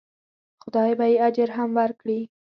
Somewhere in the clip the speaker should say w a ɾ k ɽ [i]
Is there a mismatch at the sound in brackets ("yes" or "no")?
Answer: no